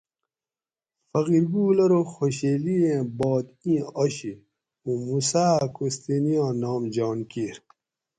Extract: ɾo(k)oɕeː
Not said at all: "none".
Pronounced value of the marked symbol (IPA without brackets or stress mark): x